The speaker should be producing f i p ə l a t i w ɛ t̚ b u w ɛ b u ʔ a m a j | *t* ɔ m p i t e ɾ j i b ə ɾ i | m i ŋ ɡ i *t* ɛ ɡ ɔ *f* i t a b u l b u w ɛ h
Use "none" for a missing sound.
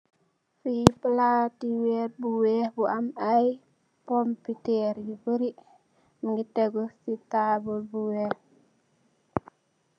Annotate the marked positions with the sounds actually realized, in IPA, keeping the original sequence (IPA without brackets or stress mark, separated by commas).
p, t, s